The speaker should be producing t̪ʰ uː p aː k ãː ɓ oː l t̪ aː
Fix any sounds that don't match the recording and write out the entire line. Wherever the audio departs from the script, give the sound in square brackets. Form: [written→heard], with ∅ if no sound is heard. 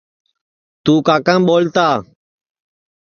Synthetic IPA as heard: [t̪ʰ→t̪] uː [p→k] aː k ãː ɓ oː l t̪ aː